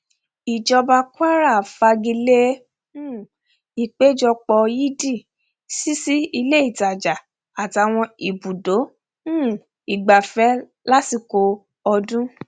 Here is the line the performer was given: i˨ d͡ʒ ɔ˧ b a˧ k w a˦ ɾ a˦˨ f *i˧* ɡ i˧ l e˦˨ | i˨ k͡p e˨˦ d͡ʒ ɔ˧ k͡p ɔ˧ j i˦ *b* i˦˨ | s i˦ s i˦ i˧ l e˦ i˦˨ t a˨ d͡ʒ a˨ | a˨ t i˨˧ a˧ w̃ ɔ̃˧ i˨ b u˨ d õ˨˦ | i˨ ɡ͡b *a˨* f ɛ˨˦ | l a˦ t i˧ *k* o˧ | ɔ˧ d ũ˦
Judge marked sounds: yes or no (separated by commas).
no, no, yes, yes